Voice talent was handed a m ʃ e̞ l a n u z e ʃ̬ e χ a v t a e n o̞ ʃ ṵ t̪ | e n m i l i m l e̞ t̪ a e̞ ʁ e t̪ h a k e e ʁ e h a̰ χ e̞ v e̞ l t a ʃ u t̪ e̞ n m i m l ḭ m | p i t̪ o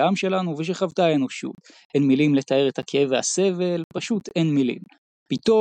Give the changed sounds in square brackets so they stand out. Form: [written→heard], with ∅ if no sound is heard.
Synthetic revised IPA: a m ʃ e̞ l a n u [z→v] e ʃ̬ e χ a v t a e n o̞ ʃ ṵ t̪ | e n m i l i m l e̞ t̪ a e̞ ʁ e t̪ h a k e e [ʁ→v] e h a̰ [χ→s] e̞ v e̞ l [t→p] a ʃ u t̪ e̞ n m i [m→∅] l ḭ m | p i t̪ o